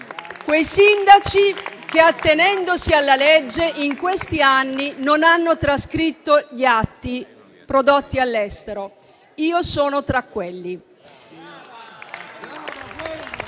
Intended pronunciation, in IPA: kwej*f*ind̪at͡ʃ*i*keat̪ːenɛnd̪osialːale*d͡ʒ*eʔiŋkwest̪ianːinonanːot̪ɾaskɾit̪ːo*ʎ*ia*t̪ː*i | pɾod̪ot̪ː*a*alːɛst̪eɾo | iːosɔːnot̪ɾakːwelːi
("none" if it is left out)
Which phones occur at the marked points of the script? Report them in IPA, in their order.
s, i, d͡ʒː, ʎ, t̪ː, i

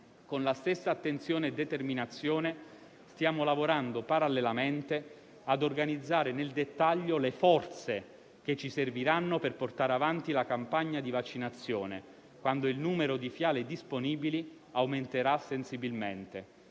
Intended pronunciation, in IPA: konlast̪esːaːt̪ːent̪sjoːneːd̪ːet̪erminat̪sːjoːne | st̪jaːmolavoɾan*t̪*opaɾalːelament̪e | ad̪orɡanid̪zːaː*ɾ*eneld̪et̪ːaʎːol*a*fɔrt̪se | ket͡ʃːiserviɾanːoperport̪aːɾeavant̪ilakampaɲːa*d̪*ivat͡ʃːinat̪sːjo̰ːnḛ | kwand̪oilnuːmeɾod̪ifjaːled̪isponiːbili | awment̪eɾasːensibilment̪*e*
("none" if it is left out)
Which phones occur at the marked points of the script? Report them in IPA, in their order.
d̪, ɾ, e, d̪, e

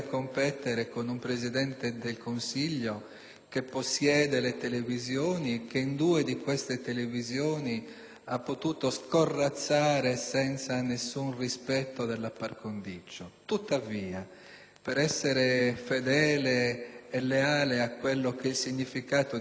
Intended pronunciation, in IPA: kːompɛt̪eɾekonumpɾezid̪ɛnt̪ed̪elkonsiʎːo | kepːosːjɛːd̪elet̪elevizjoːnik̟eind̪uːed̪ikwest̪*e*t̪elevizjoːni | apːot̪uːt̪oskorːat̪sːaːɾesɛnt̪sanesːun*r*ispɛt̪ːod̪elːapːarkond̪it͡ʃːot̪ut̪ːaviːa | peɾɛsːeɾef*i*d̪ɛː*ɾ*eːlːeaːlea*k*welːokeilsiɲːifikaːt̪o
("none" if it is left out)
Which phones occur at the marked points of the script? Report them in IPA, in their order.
e, r, e, l, k

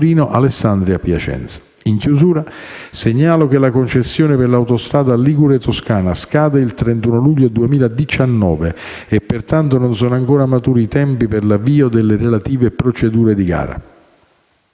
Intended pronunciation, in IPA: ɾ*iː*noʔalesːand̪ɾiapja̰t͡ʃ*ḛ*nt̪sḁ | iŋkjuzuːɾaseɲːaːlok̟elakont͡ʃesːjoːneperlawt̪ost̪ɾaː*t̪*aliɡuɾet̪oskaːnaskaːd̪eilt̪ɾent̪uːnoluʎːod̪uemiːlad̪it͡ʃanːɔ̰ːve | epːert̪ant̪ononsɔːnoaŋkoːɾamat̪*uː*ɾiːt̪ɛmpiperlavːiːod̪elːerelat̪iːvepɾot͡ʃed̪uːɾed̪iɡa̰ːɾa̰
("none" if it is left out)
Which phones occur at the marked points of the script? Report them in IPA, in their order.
iː, ɛ̰, d̪, uː

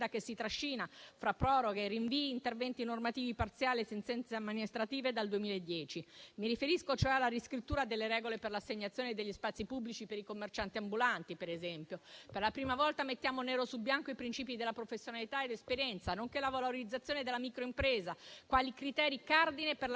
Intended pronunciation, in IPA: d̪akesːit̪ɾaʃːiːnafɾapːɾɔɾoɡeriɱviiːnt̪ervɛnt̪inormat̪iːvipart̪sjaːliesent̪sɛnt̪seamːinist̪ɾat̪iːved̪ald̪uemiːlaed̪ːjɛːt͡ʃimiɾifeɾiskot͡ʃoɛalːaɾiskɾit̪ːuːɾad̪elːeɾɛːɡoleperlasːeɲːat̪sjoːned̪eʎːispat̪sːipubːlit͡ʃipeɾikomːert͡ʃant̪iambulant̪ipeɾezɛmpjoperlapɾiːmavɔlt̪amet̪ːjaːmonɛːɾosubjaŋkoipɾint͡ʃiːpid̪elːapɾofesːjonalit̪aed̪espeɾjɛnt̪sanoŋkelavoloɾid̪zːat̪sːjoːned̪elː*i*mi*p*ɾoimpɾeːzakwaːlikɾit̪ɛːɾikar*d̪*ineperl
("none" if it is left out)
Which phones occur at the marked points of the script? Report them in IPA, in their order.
a, k, d̪

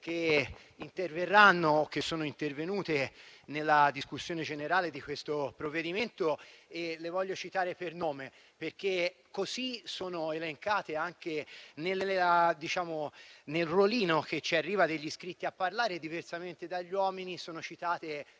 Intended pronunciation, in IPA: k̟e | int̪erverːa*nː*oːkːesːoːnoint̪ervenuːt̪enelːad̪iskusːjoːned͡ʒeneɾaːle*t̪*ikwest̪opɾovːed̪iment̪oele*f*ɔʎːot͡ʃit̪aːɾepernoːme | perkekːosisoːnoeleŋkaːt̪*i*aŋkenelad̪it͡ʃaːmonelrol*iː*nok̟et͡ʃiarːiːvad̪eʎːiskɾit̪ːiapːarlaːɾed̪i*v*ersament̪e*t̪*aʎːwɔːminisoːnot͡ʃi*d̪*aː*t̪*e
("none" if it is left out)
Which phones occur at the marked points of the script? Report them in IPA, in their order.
nː, d̪, v, e, iː, v, d̪, t̪, t̪

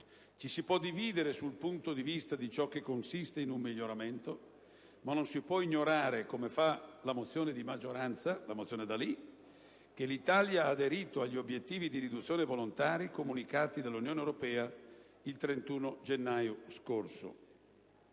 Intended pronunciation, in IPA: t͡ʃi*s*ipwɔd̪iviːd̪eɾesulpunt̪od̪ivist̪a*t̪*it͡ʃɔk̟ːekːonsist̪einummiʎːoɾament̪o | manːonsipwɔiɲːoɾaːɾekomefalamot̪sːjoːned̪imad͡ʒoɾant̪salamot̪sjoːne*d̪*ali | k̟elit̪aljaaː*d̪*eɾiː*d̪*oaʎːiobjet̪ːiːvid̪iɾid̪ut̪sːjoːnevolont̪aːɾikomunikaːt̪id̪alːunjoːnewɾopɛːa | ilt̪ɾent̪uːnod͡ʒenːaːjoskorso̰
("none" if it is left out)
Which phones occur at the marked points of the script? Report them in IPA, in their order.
s, d̪, d̪, d̪, t̪

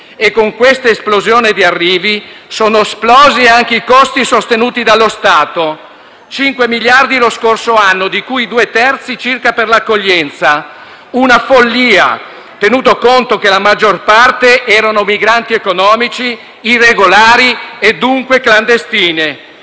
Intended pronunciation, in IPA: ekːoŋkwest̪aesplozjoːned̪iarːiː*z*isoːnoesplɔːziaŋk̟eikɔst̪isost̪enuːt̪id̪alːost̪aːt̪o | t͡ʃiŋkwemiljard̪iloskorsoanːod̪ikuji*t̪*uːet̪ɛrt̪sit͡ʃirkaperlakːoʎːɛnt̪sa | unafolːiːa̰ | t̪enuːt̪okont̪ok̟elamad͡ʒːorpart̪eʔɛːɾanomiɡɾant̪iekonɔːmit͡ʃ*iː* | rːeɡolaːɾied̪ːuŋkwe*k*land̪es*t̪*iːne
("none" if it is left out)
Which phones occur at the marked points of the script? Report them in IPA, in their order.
v, d̪, iː, k, t̪

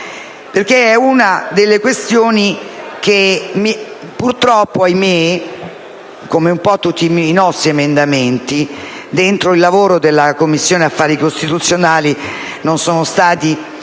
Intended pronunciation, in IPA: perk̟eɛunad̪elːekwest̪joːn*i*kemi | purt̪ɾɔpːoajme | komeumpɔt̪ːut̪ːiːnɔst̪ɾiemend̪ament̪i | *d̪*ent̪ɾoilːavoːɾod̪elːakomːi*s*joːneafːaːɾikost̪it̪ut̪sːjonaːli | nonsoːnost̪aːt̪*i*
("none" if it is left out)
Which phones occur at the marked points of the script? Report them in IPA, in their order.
i, d̪, sː, i

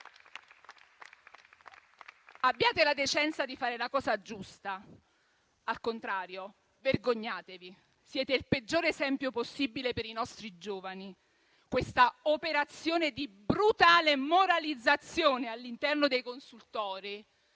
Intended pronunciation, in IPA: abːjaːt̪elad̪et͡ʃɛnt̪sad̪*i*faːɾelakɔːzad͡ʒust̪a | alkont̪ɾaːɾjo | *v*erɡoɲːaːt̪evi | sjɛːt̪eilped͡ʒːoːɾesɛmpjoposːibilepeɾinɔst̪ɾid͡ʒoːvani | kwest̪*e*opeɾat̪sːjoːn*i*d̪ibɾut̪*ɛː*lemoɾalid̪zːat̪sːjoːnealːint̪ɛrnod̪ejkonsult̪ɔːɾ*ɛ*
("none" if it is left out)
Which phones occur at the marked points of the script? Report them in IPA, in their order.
i, v, a, e, aː, i

